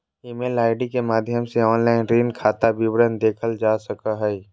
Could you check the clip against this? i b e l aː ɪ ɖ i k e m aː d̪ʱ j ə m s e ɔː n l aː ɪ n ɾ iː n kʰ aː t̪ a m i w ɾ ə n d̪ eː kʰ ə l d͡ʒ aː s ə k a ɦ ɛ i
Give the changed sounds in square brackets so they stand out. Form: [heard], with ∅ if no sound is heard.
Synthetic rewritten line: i [m] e l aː ɪ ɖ i k e m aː d̪ʱ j ə m s e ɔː n l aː ɪ n ɾ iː n kʰ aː t̪ a [b] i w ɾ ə n d̪ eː kʰ ə l d͡ʒ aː s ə k a ɦ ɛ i